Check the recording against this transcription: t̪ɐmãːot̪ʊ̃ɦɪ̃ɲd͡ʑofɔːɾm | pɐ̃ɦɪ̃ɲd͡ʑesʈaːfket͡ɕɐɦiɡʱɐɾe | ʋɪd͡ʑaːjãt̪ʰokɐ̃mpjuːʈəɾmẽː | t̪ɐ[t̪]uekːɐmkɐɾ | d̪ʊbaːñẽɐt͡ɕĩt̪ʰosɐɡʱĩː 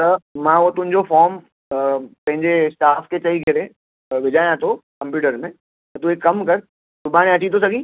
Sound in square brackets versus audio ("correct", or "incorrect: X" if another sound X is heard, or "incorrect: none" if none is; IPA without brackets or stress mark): correct